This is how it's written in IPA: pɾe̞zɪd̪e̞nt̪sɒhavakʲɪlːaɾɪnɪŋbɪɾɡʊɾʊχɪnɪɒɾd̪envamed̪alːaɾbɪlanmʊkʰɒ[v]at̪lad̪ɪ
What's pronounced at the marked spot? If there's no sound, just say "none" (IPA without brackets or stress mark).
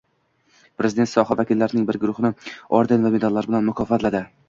f